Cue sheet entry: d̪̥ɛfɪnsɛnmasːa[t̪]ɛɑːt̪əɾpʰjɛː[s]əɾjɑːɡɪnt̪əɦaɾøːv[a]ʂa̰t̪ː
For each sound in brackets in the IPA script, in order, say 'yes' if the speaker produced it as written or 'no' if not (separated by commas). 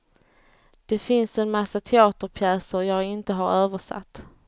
no, yes, no